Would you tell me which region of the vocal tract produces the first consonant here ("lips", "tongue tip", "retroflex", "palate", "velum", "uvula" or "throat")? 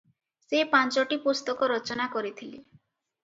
tongue tip